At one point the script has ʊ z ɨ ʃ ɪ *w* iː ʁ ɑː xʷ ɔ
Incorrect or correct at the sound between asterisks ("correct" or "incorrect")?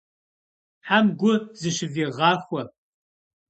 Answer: incorrect